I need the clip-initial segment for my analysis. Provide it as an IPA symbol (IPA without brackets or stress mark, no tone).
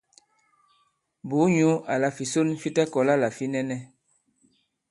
b